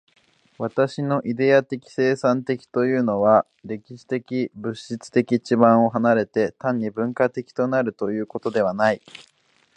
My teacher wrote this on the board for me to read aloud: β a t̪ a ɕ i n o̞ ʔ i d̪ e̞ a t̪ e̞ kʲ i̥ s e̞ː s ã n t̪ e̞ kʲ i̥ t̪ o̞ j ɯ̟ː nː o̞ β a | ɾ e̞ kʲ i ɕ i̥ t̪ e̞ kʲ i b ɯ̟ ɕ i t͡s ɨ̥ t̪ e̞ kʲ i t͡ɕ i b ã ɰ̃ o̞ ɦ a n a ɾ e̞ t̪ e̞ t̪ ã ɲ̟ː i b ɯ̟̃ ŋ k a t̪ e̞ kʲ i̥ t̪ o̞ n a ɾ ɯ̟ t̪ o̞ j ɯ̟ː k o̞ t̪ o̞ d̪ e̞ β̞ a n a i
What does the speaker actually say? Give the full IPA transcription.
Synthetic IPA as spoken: β a t̪ a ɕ i n o̞ ʔ i d̪ e̞ a t̪ e̞ kʲ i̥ s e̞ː s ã n t̪ e̞ kʲ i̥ t̪ o̞ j ɯ̟ː n o̞ β a | ɾ e̞ kʲ i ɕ i̥ t̪ e̞ kʲ i b ɯ̟ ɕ i t͡s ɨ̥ t̪ e̞ kʲ i t͡ɕ i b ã ɰ̃ o̞ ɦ a n a ɾ e̞ t̪ e̞ t̪ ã ɲ̟ː i b ɯ̟̃ ŋ k a t̪ e̞ kʲ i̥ t̪ o̞ n a ɾ ɯ̟ t̪ o̞ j ɯ̟ː k o̞ t̪ o̞ d̪ e̞ β̞ a n a i